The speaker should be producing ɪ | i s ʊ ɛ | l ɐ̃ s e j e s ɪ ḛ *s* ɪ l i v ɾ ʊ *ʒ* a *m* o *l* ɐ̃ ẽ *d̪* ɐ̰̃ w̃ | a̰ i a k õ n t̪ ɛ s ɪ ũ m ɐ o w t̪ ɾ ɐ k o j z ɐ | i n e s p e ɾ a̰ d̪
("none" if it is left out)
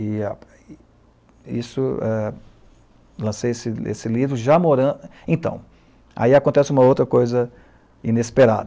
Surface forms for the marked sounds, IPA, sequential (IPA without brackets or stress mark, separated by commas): s, ʒ, m, ɾ, t̪